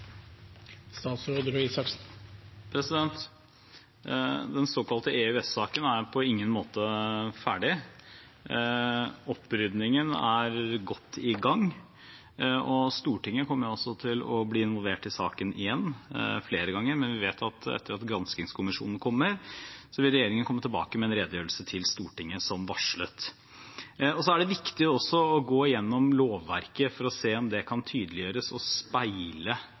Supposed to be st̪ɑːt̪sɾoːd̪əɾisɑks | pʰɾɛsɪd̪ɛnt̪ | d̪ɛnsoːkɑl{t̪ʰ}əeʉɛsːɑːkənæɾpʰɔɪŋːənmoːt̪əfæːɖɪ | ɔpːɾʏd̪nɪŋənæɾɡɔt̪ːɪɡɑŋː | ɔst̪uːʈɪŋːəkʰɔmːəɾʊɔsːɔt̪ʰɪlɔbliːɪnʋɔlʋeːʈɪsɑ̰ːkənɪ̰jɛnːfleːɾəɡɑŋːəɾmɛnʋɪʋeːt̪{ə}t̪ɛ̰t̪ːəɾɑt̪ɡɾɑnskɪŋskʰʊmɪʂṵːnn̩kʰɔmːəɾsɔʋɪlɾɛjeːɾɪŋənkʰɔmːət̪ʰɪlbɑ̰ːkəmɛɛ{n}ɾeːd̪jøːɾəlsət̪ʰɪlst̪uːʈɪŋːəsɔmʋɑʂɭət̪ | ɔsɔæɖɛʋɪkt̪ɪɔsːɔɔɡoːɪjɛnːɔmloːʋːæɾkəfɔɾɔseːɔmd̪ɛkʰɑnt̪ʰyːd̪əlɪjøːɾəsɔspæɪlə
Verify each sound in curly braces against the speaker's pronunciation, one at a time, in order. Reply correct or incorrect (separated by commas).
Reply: incorrect, incorrect, correct